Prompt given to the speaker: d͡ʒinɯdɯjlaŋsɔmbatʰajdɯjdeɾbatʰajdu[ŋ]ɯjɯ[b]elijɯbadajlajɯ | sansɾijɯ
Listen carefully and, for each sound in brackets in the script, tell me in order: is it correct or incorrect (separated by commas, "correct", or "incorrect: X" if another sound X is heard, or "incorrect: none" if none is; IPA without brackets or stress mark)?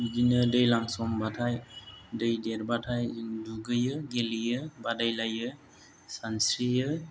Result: incorrect: ɡ, incorrect: ɡ